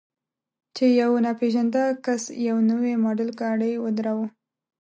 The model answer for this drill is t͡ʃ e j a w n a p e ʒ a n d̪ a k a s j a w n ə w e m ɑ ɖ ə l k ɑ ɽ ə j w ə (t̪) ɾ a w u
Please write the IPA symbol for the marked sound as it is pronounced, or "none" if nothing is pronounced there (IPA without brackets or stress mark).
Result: d̪